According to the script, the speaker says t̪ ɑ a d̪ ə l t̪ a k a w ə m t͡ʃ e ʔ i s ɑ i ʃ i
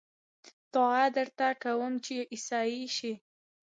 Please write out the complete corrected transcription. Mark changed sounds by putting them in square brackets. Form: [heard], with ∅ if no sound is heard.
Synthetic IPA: t̪ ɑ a d̪ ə [ɾ] t̪ a k a w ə m t͡ʃ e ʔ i s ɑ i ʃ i